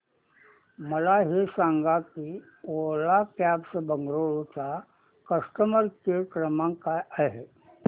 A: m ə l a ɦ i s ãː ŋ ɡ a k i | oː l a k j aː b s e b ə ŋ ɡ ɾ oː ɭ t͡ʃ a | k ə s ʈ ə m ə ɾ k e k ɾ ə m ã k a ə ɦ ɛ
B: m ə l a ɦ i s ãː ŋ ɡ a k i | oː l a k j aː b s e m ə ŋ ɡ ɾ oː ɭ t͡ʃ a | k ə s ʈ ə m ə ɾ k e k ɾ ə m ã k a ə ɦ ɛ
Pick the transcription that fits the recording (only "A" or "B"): A